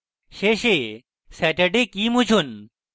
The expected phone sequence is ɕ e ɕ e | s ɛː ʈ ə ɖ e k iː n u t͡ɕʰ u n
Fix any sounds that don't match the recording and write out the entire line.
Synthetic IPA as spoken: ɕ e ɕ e | s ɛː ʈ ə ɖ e k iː m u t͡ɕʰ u n